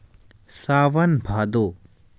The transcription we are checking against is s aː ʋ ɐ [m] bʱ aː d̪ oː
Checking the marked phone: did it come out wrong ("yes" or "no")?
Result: yes